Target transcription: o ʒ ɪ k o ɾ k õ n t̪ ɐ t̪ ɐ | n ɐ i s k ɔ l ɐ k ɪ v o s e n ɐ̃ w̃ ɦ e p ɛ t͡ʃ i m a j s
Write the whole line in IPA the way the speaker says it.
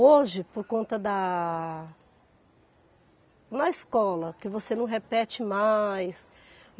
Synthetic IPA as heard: o ʒ ɪ p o ɾ k õ n t̪ ɐ d̪ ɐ | n ɐ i s k ɔ l ɐ k ɪ v o s e n ɐ̃ w̃ ɦ e p ɛ t͡ʃ ɪ m a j s